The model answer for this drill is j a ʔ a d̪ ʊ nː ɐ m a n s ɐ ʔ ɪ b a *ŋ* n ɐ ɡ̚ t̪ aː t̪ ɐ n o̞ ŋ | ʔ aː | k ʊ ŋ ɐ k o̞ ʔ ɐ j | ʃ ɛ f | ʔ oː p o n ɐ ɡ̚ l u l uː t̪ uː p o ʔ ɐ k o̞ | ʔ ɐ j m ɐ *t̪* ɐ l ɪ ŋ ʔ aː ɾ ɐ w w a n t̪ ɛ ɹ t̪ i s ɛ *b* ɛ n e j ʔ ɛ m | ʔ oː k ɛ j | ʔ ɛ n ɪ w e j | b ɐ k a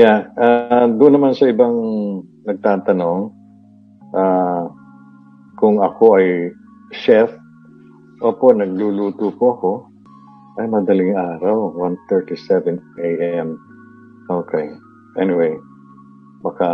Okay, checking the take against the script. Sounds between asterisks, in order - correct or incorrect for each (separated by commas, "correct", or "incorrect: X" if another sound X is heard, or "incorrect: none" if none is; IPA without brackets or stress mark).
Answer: correct, incorrect: d̪, incorrect: v